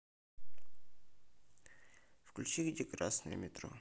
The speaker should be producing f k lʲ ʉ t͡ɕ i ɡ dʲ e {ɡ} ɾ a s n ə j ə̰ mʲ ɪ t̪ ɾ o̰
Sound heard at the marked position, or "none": k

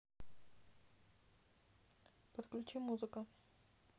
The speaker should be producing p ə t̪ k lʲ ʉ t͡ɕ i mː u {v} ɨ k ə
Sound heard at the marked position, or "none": z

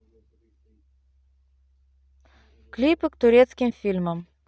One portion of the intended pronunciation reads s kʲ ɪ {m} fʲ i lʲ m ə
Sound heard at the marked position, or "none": m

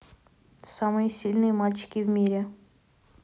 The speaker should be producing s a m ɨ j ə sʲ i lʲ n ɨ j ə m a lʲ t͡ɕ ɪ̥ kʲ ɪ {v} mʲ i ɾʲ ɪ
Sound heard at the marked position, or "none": v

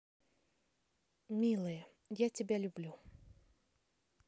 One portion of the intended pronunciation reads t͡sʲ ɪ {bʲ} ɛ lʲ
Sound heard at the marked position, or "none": bʲ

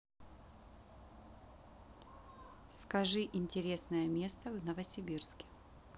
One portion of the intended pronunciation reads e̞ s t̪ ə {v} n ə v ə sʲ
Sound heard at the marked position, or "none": v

